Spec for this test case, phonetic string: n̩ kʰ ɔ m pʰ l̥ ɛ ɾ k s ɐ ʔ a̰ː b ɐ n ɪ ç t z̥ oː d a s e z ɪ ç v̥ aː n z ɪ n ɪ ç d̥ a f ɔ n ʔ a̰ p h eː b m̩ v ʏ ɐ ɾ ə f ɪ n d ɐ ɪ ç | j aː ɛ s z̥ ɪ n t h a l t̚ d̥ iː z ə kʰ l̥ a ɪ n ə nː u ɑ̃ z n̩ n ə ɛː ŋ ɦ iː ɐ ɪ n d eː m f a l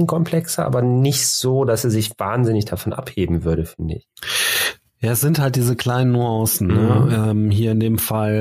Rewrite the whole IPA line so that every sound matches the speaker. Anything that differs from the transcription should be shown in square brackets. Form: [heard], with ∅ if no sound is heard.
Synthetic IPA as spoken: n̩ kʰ ɔ m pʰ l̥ ɛ [∅] k s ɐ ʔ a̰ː b ɐ n ɪ ç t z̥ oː d a s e z ɪ ç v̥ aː n z ɪ n ɪ ç d̥ a f ɔ n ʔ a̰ p h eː b m̩ v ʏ ɐ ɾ ə f ɪ n d [ə] ɪ ç | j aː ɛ s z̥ ɪ n t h a l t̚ d̥ iː z ə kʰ l̥ a ɪ n ə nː u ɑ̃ [s] n̩ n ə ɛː [m] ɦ iː ɐ ɪ n d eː m f a l